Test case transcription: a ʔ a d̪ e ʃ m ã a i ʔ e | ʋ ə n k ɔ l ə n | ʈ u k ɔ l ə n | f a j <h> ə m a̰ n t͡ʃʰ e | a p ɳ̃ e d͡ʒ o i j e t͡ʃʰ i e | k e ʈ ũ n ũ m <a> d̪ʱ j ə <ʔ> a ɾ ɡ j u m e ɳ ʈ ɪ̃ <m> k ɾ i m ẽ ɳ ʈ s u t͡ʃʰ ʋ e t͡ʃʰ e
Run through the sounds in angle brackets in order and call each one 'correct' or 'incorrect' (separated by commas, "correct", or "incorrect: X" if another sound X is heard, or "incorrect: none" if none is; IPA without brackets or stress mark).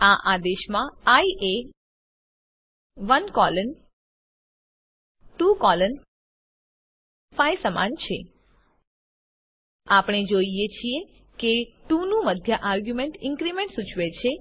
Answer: incorrect: s, incorrect: ə, correct, incorrect: ŋ